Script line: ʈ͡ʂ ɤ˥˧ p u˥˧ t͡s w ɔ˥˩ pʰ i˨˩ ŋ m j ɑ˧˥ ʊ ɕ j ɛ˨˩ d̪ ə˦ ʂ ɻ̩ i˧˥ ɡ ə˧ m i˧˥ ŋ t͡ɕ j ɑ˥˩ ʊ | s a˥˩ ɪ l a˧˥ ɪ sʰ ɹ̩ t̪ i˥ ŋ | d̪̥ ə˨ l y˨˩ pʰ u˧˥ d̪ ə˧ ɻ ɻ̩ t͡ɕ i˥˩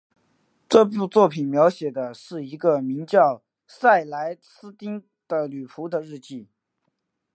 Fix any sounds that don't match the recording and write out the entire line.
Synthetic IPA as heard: ʈ͡ʂ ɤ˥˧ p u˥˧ t͡s w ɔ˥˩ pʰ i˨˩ n m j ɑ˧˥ ʊ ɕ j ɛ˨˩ d̪ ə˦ ʂ ɻ̩ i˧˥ ɡ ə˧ m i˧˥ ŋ t͡ɕ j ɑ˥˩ ʊ | s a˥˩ ɪ l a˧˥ ɪ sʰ ɹ̩ t̪ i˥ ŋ | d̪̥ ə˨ l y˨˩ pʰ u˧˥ d̪ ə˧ ɻ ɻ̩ t͡ɕ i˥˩